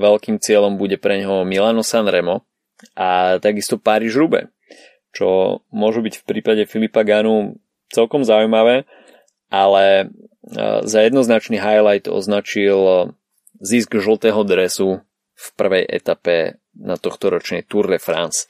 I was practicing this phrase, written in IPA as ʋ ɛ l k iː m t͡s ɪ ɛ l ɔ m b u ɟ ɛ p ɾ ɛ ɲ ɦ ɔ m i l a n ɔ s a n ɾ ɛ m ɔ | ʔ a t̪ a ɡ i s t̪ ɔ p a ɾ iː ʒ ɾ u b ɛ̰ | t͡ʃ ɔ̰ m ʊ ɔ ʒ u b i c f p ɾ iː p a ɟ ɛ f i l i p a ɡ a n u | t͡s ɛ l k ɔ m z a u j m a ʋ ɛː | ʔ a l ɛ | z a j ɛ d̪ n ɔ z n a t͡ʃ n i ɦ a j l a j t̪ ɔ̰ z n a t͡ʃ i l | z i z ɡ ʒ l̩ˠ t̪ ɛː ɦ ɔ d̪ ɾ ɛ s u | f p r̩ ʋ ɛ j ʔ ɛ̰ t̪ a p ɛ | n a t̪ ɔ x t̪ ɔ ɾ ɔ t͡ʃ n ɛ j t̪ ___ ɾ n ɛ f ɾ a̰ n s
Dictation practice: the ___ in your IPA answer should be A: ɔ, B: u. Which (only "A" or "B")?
B